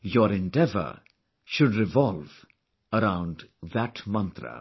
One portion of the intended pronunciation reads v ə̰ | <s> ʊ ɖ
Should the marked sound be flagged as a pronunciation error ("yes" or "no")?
yes